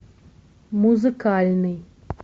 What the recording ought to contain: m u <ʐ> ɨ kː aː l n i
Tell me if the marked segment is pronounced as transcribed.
no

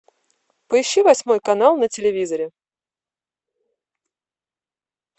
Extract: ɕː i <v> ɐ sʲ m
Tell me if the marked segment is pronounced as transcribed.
yes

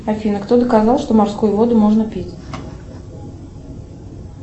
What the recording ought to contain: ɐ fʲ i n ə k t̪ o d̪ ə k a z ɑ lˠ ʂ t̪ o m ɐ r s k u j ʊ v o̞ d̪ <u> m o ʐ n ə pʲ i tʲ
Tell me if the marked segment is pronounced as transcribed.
no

